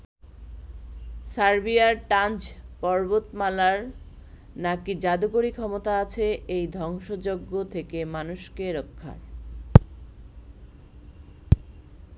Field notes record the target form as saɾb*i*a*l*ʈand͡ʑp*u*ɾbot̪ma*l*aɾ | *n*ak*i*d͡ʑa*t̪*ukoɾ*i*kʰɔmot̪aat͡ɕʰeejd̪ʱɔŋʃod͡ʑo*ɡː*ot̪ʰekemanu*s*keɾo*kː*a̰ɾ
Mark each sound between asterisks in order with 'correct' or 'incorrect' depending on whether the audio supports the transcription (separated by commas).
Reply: correct, incorrect, incorrect, correct, correct, correct, incorrect, correct, correct, incorrect, incorrect